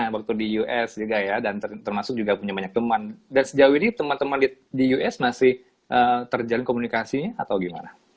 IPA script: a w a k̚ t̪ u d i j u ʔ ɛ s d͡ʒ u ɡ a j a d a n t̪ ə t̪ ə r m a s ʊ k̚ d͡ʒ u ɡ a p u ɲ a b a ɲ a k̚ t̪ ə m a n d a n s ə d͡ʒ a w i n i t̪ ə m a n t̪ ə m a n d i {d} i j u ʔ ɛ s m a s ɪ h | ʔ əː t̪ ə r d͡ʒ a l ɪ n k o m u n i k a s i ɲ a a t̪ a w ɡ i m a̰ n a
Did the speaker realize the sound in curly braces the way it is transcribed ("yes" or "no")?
yes